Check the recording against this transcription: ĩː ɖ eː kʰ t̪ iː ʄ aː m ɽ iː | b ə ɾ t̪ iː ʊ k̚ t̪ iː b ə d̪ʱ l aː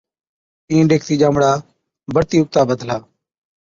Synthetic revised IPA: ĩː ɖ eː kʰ t̪ iː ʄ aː m ɽ aː | b ə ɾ t̪ iː ʊ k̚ t̪ aː b ə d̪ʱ l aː